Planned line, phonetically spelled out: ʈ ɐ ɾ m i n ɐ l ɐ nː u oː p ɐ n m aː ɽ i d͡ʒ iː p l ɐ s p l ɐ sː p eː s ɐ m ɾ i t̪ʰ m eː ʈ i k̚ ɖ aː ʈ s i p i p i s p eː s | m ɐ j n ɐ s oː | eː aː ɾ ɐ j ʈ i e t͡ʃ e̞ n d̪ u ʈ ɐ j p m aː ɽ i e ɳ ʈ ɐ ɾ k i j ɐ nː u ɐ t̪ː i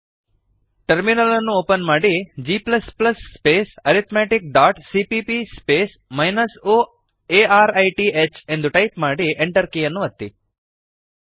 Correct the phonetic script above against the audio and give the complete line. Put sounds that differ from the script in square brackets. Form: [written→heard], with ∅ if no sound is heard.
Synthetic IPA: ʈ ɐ ɾ m i n ɐ l ɐ nː u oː p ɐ n m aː ɽ i d͡ʒ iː p l ɐ s p l ɐ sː p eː s ɐ [m→∅] ɾ i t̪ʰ m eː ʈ i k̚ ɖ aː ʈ s i p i p i s p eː s | m ɐ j n ɐ s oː | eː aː ɾ ɐ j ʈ i e t͡ʃ e̞ n d̪ u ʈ ɐ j p m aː ɽ i e ɳ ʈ ɐ ɾ k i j ɐ nː u ɐ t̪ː i